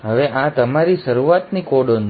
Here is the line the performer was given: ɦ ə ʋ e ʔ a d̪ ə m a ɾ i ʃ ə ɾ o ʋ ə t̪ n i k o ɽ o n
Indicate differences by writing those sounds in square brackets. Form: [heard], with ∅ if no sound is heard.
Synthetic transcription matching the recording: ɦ ə ʋ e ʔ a [t̪] ə m a ɾ i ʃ ə ɾ [u] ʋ [a] t̪ n i k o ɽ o n